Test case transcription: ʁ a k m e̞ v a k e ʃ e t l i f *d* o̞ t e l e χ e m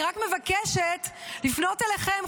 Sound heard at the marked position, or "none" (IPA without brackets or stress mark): n